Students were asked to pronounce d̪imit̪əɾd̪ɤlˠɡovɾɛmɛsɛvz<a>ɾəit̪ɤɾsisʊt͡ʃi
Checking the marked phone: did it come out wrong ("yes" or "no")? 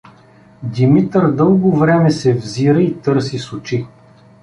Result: yes